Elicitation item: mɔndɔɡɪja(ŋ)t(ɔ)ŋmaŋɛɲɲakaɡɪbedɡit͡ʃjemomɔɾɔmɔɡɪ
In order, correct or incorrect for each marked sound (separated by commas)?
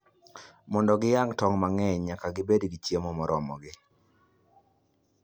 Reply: correct, correct